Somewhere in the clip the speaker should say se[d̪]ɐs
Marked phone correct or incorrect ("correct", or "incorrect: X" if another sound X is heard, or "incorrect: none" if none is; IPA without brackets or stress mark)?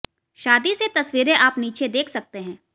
incorrect: t̪